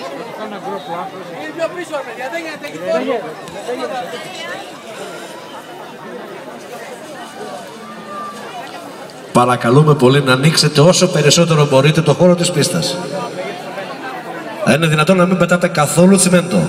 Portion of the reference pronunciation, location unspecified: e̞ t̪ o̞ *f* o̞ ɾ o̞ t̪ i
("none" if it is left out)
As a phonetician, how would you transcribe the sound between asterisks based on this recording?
x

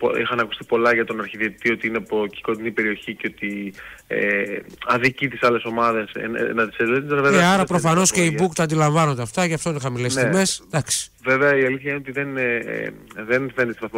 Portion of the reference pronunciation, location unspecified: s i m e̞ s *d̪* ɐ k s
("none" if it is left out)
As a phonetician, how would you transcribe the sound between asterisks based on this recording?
d̪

